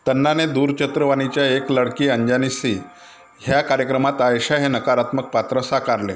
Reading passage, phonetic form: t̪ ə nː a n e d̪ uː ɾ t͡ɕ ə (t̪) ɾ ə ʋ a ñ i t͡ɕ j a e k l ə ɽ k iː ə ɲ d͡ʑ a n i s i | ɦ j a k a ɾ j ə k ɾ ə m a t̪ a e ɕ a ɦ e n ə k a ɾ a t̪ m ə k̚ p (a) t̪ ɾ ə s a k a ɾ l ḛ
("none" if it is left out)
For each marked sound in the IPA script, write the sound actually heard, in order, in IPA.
t̪, a

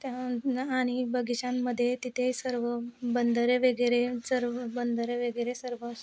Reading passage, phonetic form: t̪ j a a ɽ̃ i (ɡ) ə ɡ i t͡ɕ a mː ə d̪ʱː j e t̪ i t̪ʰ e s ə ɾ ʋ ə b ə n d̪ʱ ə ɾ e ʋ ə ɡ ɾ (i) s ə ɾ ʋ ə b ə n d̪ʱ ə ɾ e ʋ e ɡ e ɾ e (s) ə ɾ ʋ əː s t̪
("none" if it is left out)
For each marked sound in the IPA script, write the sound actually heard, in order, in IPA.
b, e, s

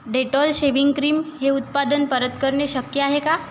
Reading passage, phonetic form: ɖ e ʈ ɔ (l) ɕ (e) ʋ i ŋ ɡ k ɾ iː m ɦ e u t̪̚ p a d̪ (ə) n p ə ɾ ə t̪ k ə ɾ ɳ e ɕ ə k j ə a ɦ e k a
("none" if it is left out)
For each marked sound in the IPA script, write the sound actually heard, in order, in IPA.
l, e, ə

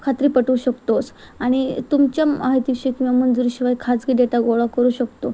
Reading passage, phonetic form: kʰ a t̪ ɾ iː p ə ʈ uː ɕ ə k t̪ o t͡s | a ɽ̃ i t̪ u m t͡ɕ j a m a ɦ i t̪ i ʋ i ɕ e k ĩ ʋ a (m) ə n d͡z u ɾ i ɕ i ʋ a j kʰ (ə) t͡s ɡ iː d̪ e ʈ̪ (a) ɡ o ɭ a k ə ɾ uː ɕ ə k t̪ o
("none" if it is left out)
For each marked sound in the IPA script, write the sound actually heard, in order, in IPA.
m, a, a

